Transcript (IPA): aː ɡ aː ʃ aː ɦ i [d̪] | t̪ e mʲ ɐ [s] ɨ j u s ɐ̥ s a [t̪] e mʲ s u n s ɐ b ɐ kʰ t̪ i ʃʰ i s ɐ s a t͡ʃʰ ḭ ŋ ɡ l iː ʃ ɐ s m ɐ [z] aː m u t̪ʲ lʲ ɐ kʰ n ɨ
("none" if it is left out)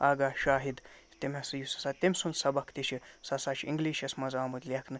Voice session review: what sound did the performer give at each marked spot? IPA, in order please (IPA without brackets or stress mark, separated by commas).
d̪, s, t̪, z